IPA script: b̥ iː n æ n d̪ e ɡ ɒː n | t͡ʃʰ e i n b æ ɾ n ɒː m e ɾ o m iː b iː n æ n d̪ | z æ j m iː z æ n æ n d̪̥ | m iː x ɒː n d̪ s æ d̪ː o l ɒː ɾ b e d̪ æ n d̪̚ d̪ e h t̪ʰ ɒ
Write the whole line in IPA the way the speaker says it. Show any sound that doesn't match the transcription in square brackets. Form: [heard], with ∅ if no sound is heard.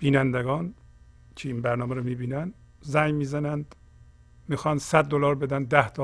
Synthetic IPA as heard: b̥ iː n æ n d̪ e ɡ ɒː n | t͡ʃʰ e i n b æ ɾ n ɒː m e ɾ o m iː b iː n æ n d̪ | z æ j m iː z æ n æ n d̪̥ | m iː x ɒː n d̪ s æ d̪ː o l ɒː ɾ b e d̪ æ n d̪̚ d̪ [æ] h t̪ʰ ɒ